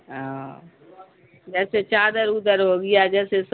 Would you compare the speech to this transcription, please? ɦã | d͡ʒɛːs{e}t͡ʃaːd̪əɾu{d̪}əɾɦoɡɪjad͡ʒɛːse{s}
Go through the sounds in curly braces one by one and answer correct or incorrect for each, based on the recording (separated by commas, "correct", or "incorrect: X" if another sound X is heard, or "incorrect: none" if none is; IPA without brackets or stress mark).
correct, correct, correct